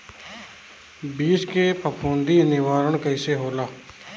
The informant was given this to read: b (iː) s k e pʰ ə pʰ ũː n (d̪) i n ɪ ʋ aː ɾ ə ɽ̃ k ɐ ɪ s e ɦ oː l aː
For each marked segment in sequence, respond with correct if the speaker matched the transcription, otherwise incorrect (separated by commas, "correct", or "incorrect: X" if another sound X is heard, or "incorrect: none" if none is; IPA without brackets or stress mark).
correct, correct